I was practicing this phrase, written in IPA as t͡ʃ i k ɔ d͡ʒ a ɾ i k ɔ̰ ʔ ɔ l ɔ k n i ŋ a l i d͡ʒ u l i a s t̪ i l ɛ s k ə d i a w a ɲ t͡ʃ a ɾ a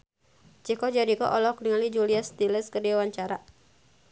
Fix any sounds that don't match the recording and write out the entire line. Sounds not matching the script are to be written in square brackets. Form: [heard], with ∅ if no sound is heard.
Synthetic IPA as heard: t͡ʃ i k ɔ d͡ʒ a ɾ i k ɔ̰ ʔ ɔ l ɔ k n i ŋ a l i d͡ʒ u l i a s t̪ i l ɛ s k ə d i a w a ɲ t͡ʃ a ɾ a